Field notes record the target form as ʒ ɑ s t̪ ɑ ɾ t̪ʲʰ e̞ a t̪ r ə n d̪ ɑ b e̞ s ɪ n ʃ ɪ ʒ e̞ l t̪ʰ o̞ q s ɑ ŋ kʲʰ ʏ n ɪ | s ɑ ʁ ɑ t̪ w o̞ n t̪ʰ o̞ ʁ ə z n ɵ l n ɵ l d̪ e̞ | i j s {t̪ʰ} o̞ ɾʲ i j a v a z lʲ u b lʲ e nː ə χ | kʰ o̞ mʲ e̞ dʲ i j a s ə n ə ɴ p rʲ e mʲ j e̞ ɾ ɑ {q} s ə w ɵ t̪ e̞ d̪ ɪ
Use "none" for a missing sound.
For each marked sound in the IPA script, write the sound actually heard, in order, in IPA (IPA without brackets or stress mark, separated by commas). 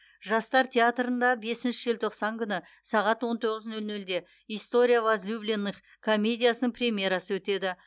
t̪, none